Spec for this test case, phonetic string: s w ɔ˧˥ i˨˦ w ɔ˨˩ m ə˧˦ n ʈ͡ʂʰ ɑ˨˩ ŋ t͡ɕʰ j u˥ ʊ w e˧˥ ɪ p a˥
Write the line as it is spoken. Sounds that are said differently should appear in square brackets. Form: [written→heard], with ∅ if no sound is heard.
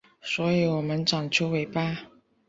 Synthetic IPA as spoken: s w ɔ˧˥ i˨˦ w ɔ˨˩ m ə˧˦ n [ʈ͡ʂʰ→ʈ͡ʂ] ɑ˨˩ ŋ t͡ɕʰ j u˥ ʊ w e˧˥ ɪ p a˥